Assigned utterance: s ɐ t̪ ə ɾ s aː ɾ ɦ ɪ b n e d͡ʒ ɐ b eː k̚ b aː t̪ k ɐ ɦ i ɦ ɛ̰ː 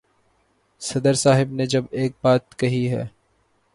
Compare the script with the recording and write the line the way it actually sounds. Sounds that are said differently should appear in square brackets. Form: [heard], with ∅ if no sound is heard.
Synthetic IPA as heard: s ɐ [d̪] ə ɾ s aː [∅] ɦ ɪ b n e d͡ʒ ɐ b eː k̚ b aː t̪ k ɐ ɦ i ɦ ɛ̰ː